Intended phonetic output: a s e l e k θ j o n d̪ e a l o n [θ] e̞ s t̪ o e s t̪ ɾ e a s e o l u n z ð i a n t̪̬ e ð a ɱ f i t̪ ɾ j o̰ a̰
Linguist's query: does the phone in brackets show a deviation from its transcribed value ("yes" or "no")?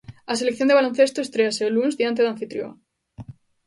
no